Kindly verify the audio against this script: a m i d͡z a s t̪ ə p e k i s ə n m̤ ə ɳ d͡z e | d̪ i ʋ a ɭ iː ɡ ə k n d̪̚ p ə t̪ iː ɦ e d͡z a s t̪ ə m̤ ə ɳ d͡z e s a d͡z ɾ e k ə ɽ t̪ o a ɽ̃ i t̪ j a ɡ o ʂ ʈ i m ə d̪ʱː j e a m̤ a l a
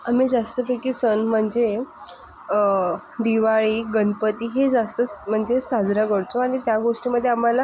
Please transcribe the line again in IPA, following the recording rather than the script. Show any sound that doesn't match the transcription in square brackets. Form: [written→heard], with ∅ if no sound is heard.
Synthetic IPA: a m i d͡z a s t̪ ə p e k i s ə n m̤ ə ɳ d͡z e | d̪ i ʋ a ɭ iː ɡ ə [k→∅] n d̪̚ p ə t̪ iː ɦ e d͡z a s t̪ ə m̤ ə ɳ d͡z e s a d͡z ɾ [e→a] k ə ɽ t̪ o a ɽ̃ i t̪ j a ɡ o ʂ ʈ i m ə d̪ʱː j e a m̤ a l a